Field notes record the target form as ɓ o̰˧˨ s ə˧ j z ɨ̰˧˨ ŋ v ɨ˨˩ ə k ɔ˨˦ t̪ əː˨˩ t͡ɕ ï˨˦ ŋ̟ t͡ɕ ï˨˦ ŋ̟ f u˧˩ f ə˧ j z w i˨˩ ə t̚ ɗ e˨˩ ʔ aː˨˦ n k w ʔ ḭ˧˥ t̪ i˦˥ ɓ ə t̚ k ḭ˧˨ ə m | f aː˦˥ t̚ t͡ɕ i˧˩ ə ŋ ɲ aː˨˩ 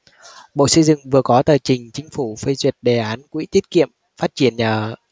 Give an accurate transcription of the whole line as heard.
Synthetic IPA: ɓ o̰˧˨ s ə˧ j z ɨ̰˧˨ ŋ v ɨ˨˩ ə k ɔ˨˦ t̪ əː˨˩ t͡ɕ ï˨˩ ŋ̟ t͡ɕ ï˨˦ ŋ̟ f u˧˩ f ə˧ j z w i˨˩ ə t̚ ɗ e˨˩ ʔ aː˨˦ n k w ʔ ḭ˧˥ t̪ i˦˥ ə t̚ k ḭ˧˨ ə m | f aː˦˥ t̚ t͡ɕ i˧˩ ə n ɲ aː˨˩